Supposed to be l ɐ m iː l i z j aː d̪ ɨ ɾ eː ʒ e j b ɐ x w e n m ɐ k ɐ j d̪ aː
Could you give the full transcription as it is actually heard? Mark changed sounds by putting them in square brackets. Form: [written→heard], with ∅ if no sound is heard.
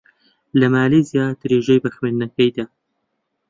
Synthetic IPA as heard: l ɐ m [iː→aː] l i z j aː d̪ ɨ ɾ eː ʒ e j b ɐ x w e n [m→n] ɐ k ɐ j d̪ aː